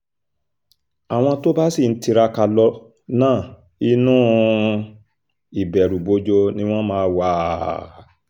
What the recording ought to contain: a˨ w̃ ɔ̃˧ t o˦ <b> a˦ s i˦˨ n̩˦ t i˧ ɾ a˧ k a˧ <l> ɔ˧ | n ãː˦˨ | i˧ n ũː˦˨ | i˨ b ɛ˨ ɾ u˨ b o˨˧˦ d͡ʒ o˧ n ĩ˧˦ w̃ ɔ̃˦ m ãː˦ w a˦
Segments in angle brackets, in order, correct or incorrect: correct, correct

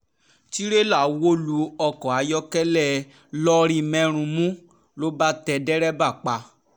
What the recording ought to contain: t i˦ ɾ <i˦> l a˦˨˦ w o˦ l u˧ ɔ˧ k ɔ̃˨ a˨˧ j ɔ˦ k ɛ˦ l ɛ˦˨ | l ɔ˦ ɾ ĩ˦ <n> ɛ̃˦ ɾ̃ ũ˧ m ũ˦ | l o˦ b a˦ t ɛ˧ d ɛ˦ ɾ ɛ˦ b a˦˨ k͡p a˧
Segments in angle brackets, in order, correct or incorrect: incorrect, incorrect

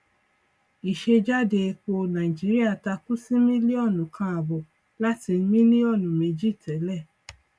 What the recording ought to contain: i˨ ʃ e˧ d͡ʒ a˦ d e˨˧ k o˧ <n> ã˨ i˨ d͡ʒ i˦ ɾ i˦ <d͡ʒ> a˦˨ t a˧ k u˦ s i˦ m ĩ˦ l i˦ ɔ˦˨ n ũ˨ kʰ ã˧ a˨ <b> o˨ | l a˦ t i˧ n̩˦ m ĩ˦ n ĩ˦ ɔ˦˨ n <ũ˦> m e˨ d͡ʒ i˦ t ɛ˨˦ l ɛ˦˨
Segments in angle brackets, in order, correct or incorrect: correct, incorrect, correct, incorrect

